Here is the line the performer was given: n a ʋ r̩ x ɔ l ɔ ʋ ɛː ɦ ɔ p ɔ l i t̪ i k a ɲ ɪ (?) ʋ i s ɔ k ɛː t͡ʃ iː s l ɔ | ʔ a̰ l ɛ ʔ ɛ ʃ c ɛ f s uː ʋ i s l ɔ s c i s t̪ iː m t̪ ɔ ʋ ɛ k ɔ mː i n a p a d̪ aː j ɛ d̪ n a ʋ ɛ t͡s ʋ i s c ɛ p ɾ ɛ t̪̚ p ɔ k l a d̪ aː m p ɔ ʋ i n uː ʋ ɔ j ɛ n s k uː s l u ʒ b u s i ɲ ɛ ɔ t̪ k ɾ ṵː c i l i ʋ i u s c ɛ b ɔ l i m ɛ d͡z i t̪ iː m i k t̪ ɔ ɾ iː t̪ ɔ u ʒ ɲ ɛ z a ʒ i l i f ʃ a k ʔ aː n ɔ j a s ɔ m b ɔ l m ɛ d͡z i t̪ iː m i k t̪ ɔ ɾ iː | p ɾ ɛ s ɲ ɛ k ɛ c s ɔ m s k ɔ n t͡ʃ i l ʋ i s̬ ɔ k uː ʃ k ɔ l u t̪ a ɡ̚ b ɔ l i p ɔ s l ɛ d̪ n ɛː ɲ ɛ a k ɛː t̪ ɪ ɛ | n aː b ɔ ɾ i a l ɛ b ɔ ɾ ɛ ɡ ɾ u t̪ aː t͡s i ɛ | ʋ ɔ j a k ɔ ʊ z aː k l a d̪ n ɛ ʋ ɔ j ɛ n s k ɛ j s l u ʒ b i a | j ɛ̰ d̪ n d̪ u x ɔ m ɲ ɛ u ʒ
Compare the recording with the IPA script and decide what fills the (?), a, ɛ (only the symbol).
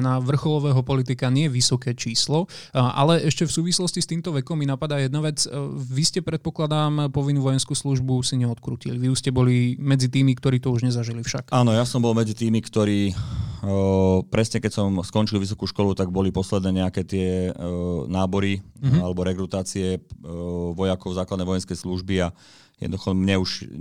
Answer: ɛ